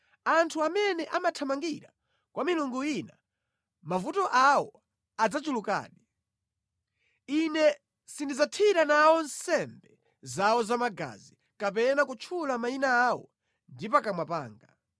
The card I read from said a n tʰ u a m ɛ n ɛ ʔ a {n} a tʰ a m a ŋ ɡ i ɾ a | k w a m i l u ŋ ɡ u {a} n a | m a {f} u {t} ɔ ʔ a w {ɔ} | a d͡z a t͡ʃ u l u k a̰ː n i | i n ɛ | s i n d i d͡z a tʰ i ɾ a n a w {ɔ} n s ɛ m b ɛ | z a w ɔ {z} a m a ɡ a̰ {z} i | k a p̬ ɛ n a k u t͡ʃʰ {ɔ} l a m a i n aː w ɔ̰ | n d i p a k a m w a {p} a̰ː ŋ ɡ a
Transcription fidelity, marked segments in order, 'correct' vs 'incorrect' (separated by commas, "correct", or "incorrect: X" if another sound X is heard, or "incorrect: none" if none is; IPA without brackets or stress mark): incorrect: m, incorrect: i, incorrect: v, correct, correct, correct, correct, correct, incorrect: u, correct